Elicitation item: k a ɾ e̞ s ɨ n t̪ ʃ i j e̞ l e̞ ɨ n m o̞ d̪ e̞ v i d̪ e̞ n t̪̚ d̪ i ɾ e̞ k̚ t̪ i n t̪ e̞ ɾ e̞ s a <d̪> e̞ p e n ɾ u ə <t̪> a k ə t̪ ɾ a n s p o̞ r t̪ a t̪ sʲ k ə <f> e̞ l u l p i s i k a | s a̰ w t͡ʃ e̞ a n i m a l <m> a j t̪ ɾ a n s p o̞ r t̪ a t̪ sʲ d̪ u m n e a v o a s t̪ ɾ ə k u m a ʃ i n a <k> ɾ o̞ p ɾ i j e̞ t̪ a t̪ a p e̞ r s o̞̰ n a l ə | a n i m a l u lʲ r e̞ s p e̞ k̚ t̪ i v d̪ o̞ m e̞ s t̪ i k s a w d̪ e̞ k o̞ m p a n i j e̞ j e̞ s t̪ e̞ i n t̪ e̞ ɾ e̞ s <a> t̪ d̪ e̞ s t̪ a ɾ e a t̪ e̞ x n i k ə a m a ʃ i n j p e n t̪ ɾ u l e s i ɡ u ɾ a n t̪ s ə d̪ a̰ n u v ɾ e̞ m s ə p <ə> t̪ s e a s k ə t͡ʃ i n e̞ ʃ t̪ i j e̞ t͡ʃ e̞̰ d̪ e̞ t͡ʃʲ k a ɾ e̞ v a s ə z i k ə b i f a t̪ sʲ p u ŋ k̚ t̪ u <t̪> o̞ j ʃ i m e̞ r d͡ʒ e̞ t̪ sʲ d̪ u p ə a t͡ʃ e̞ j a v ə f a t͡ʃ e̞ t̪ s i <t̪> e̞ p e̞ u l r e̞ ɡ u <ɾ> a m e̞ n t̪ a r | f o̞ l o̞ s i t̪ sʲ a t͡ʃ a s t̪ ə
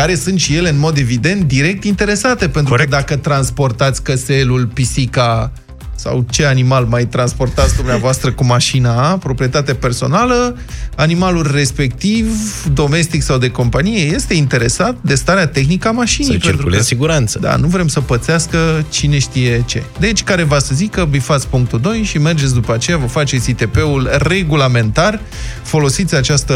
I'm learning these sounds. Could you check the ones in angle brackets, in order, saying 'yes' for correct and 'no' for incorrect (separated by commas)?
no, no, no, yes, no, yes, yes, no, yes, no